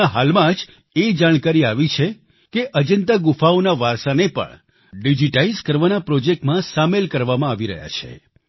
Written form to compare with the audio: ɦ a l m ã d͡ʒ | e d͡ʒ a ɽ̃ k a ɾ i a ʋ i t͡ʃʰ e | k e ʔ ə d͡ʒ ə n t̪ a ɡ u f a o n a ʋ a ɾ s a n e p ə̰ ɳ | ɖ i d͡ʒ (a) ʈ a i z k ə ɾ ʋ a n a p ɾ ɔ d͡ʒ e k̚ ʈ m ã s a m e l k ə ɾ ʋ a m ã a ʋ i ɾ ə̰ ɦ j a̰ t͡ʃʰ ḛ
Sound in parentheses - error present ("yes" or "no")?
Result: yes